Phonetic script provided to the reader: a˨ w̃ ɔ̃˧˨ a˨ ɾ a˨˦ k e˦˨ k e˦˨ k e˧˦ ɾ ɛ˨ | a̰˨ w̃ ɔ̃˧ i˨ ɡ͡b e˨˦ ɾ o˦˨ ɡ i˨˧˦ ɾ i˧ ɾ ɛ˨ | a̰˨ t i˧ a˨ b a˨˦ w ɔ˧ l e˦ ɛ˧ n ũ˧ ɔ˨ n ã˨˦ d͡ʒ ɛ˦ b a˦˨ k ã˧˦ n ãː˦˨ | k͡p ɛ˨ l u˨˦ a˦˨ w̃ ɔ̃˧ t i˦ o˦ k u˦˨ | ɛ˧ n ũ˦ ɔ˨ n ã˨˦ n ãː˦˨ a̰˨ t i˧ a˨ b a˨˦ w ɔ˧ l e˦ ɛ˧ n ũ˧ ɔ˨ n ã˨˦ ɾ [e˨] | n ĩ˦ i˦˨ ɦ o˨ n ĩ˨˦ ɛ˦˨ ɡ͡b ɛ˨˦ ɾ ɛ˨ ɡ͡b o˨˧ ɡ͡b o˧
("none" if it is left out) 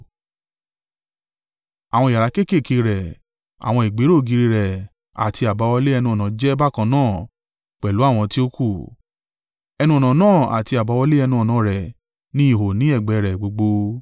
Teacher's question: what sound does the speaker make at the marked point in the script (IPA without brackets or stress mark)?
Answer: ɛ˨